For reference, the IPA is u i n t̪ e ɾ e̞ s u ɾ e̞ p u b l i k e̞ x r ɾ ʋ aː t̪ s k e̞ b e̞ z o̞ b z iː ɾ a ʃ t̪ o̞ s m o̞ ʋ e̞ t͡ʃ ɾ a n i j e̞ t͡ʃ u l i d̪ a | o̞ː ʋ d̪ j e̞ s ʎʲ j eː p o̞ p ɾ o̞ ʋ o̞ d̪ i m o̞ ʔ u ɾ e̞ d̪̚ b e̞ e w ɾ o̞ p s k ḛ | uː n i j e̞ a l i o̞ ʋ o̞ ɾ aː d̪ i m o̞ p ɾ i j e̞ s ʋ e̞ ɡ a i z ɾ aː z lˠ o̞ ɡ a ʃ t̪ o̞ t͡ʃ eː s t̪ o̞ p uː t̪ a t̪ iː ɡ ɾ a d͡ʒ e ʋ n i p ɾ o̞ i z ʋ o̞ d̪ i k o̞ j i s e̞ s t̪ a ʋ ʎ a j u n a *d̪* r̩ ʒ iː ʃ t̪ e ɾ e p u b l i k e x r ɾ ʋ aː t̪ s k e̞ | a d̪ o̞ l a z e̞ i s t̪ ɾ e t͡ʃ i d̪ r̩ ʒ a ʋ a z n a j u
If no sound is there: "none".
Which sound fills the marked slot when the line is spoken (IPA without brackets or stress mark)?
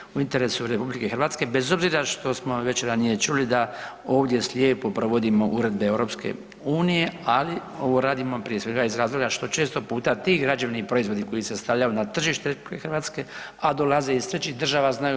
t̪